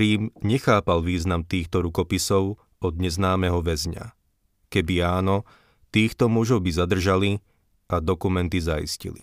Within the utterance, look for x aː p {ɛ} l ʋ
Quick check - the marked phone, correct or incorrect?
incorrect